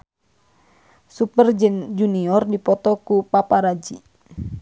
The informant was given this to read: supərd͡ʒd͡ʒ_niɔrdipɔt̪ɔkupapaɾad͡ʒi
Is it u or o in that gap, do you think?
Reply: u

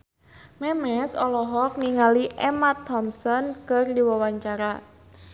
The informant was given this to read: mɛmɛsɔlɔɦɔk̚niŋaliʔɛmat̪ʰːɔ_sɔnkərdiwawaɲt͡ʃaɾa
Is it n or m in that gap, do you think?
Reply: m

